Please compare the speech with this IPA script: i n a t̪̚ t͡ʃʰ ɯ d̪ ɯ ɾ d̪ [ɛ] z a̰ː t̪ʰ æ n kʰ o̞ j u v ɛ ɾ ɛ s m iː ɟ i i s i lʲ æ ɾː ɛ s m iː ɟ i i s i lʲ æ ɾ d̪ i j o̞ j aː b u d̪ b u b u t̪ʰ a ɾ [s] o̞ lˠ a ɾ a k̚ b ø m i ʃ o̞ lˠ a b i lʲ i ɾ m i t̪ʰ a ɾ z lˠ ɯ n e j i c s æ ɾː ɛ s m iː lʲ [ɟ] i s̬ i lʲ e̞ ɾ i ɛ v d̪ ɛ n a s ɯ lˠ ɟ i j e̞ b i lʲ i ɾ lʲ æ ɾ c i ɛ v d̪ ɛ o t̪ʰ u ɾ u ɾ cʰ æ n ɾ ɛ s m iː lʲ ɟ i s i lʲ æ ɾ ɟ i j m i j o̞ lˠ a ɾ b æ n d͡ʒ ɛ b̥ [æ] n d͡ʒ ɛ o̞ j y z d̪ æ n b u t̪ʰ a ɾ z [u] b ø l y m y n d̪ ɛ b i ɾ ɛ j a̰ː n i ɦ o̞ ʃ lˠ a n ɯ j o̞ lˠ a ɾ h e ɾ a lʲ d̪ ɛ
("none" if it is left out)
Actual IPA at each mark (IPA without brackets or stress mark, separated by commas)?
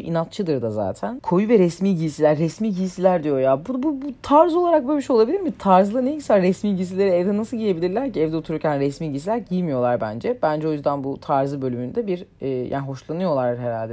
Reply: a, z, ɟ, æ, ɯ